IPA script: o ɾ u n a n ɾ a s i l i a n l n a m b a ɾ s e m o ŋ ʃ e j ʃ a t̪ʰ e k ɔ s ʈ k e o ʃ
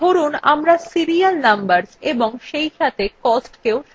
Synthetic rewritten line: o ɾ u n a m ɾ a s i ɾ i a l n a m b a ɾ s e b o ŋ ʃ e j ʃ a t̪ʰ e k ɔ s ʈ k e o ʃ